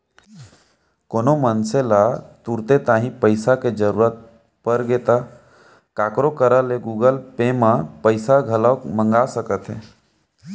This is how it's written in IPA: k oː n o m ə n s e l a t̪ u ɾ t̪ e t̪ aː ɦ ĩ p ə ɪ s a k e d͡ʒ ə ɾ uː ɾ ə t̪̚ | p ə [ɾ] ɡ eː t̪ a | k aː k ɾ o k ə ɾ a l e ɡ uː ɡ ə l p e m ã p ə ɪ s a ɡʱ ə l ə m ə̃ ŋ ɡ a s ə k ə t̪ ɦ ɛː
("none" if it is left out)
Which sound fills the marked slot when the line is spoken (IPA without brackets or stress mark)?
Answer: ɾ